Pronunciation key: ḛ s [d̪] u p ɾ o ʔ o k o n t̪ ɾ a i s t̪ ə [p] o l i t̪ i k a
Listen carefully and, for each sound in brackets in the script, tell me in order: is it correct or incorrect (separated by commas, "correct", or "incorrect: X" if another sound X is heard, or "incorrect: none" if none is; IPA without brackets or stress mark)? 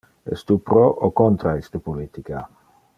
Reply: incorrect: t̪, correct